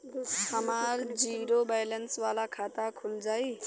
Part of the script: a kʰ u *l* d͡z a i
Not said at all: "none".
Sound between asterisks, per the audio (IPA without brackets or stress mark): l